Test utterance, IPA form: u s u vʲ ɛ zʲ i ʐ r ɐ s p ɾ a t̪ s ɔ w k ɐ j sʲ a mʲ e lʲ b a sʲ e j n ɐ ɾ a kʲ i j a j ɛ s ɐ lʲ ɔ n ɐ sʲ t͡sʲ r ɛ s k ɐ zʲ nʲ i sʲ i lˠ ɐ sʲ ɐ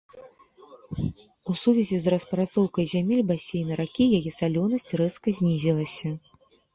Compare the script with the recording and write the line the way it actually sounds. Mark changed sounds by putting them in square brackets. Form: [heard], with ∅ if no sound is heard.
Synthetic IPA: u s u vʲ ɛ zʲ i [z] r ɐ s p ɾ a t̪ s ɔ w k ɐ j [zʲ] a mʲ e lʲ b a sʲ e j n ɐ ɾ a kʲ i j a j ɛ s [a] lʲ ɔ n ɐ sʲ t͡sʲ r ɛ s k ɐ zʲ nʲ i [zʲ] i lˠ ɐ sʲ ɐ